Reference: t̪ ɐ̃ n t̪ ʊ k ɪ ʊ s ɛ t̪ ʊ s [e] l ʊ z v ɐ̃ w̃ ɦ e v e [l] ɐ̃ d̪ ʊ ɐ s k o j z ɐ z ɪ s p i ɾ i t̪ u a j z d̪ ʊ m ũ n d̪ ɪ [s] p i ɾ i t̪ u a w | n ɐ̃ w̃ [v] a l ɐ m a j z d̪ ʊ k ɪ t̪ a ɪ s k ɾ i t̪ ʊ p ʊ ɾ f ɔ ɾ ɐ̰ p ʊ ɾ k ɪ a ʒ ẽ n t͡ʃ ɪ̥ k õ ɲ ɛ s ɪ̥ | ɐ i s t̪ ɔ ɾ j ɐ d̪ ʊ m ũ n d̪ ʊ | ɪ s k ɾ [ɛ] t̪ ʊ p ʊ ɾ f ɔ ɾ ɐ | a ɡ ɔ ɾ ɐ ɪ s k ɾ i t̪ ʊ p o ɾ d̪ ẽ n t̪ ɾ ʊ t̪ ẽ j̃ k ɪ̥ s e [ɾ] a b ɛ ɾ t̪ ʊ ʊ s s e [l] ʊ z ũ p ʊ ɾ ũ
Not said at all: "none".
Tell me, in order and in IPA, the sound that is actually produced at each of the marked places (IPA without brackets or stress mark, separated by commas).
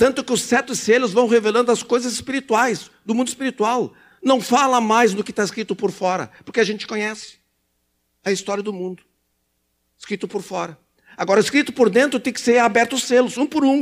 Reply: e, l, s, f, i, ɾ, l